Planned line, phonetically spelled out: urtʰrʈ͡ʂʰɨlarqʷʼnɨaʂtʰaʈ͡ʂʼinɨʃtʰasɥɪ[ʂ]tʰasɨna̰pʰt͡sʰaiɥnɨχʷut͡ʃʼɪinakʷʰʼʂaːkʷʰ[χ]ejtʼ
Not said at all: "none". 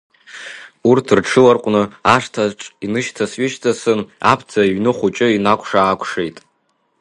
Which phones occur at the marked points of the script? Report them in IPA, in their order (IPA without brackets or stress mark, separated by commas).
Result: ʃ, ʂ